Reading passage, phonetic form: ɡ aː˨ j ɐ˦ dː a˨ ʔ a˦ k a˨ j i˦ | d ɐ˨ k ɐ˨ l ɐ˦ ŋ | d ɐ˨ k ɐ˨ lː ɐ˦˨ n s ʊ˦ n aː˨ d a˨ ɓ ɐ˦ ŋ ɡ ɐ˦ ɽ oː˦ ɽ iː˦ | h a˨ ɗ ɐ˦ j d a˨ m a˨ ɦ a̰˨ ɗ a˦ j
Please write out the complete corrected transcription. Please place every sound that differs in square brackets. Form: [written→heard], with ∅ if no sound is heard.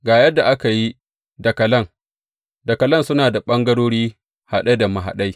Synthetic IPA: ɡ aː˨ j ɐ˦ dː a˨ ʔ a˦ k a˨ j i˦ | d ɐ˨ k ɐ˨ l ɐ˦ ŋ | d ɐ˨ k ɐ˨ [lː→l] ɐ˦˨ n s ʊ˦ n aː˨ d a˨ ɓ ɐ˦ ŋ ɡ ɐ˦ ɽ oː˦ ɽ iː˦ | h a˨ ɗ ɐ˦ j d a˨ m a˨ ɦ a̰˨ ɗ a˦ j